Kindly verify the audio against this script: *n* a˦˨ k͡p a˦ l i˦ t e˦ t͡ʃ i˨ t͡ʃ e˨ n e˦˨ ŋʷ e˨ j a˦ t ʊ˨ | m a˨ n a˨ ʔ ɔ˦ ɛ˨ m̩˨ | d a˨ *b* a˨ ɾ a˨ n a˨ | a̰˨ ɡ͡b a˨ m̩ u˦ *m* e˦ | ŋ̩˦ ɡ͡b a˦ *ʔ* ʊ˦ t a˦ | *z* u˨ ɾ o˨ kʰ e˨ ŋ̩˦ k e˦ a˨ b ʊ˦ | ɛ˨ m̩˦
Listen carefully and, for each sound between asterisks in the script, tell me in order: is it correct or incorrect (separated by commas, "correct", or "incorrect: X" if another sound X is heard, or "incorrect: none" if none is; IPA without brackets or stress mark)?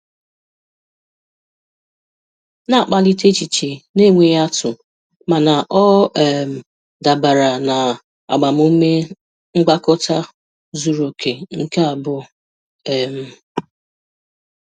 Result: correct, correct, correct, incorrect: k, correct